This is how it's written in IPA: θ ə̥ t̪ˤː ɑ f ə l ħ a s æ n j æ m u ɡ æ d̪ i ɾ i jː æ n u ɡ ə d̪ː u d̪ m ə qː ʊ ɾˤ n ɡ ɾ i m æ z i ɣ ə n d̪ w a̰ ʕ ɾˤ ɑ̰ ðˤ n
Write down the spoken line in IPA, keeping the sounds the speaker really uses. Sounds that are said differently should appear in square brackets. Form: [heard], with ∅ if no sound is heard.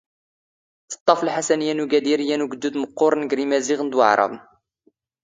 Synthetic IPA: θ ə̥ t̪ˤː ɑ f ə l ħ a s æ n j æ [n] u ɡ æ d̪ i ɾ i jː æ n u ɡ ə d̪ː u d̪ m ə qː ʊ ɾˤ n ɡ ɾ i m æ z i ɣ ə n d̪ w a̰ ʕ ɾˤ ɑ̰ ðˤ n